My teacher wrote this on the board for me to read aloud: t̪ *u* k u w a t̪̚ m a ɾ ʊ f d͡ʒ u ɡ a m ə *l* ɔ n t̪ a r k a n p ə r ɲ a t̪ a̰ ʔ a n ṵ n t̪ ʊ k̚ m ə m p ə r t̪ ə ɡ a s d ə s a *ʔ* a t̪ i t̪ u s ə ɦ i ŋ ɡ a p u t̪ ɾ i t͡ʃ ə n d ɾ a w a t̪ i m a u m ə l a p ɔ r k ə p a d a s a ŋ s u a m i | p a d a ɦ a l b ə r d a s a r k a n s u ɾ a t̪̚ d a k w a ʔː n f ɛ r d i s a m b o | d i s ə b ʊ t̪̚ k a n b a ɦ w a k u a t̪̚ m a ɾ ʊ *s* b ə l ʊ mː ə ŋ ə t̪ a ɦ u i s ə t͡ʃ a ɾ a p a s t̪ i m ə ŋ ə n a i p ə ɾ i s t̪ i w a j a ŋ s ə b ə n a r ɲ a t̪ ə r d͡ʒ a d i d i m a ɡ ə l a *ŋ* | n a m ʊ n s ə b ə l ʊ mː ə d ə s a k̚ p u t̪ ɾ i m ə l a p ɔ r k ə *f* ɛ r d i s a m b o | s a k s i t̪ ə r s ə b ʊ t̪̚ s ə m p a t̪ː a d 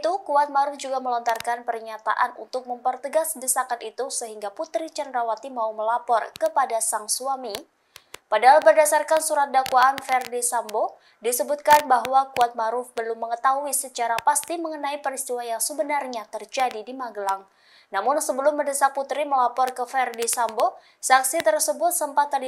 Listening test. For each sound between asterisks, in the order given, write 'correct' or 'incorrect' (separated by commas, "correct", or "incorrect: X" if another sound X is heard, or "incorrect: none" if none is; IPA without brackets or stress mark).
correct, correct, incorrect: k, incorrect: f, correct, correct